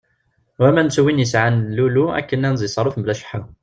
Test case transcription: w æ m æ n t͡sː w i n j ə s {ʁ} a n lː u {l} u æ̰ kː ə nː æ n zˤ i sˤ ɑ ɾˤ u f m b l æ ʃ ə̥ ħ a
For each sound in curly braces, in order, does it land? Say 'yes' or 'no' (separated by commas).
no, yes